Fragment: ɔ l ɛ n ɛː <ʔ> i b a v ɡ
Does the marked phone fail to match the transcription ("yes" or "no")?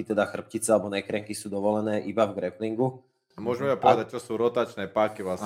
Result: no